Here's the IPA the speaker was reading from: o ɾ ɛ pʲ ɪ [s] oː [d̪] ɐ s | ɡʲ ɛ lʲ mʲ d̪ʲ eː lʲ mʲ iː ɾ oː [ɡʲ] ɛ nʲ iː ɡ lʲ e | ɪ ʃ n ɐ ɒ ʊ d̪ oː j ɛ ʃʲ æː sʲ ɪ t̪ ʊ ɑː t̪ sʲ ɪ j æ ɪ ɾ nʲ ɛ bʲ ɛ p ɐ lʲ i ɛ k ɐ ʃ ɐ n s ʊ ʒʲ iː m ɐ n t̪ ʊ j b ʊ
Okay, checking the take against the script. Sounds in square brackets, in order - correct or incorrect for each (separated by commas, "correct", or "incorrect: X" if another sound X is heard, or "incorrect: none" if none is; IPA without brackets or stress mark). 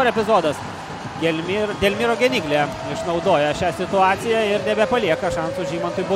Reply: incorrect: z, correct, correct